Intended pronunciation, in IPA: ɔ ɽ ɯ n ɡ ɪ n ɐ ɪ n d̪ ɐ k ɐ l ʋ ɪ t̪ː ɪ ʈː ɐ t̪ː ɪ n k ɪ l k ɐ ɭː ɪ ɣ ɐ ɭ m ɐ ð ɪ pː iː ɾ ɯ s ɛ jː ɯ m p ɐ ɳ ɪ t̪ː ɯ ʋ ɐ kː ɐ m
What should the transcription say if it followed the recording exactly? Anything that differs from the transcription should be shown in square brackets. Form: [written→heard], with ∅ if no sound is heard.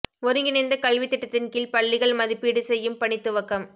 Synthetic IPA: ɔ [ɽ→ɾ] ɯ [n→ŋ] ɡ ɪ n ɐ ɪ n d̪ ɐ k ɐ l ʋ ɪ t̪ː ɪ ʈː ɐ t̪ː ɪ n k ɪ l [k→p] ɐ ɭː ɪ ɣ ɐ ɭ m ɐ ð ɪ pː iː [ɾ→ɽ] ɯ s ɛ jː ɯ m p ɐ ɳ ɪ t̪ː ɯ ʋ ɐ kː ɐ m